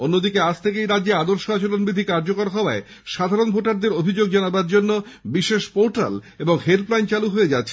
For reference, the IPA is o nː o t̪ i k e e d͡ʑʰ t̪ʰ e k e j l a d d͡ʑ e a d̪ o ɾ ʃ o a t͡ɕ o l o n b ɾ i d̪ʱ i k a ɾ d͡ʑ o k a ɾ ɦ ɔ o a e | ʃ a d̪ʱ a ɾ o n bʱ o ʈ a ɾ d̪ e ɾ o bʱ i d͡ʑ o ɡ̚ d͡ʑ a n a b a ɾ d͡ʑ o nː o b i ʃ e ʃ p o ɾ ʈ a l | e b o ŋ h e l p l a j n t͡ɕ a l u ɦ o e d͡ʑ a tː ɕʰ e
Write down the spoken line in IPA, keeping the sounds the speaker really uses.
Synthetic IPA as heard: o nː o d̪ i k e a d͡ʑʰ t̪ʰ e k e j ɾ a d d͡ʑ e a d̪ o ɾ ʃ o a t͡ɕ o l o n b ɾ i d̪ʱ i k a ɾ d͡ʑ o k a ɾ ɦ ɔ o a e | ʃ a d̪ʱ a ɾ o n bʱ o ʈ a ɾ d̪ e ɾ o bʱ i d͡ʑ o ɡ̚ d͡ʑ a n a b a ɾ d͡ʑ o nː o b i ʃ e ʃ p o ɾ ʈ a l | e b o ŋ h e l p l a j n t͡ɕ a l u ɦ o e d͡ʑ a tː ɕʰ e